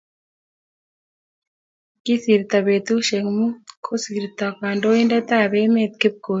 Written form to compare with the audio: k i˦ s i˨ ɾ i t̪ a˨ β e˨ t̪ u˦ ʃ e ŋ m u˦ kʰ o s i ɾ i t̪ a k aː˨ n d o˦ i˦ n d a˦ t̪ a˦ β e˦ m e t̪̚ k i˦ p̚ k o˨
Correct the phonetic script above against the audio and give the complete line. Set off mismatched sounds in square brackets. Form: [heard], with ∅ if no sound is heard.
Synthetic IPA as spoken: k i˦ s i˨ ɾ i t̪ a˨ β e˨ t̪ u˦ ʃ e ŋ m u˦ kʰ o s i ɾ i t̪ a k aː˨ n d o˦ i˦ n d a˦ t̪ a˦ β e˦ m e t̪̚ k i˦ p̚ k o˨